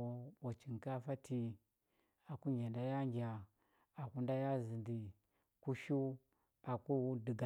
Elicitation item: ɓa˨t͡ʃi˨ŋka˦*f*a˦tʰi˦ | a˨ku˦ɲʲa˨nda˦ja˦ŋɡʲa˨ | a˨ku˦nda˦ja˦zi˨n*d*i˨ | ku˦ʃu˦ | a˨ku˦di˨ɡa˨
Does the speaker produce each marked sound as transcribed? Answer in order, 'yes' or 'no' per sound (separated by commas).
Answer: yes, yes